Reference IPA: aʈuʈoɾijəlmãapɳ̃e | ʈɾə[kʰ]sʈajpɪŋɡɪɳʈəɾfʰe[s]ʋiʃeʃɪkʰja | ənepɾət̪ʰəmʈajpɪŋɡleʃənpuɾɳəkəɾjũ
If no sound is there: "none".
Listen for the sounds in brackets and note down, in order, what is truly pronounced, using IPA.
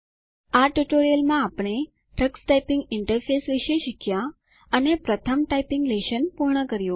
k, s

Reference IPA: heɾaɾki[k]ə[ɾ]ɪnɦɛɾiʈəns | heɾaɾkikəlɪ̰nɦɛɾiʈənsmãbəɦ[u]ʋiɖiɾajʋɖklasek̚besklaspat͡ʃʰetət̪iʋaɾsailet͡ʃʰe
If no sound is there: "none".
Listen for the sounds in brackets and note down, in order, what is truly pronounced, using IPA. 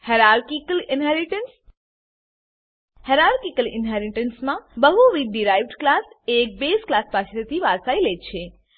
k, l, u

